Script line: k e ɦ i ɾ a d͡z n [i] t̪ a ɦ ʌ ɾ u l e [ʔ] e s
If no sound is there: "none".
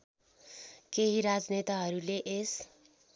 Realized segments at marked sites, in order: e, ʔ

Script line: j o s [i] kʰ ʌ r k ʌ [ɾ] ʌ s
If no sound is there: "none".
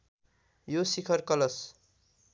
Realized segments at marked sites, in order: i, l

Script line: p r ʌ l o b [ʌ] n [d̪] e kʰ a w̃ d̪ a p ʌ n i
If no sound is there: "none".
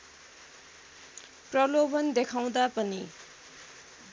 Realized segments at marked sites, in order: ʌ, d̪

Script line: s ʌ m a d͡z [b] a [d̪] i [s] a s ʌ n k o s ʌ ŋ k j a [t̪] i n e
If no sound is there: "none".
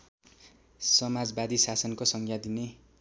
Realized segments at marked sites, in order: b, d̪, s, d̪

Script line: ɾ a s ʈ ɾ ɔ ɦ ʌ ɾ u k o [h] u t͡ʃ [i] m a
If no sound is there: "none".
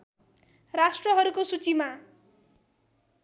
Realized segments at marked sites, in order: s, i

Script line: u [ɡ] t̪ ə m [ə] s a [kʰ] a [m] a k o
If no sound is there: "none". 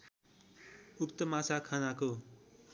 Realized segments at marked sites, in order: k, a, kʰ, n

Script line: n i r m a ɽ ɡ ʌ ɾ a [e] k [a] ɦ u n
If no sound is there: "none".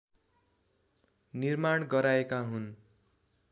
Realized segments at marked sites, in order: e, a

